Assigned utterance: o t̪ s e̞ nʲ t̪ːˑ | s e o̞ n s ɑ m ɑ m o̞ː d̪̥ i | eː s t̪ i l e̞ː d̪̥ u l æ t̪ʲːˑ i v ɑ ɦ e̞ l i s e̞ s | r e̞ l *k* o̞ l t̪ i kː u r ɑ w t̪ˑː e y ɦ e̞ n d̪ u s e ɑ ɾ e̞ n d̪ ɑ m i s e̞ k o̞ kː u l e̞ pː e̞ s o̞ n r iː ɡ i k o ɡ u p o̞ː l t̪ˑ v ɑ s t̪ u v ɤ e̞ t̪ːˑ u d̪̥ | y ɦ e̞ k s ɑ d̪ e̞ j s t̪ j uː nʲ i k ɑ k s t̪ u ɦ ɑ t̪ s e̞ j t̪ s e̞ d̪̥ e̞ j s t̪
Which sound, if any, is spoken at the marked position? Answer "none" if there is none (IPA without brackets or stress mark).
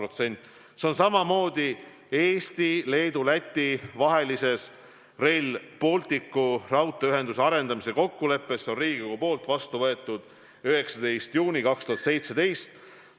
p